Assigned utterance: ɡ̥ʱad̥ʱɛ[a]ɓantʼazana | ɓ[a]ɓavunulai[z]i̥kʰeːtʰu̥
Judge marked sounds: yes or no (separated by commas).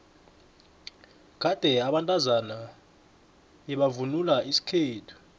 yes, no, no